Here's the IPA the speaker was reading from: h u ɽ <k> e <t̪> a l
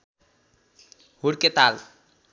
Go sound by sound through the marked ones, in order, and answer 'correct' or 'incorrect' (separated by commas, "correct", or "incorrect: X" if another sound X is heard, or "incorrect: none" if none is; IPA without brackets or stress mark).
correct, correct